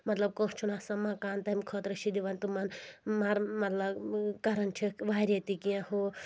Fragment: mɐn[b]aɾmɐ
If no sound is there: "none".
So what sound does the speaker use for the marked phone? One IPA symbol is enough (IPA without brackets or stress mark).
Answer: m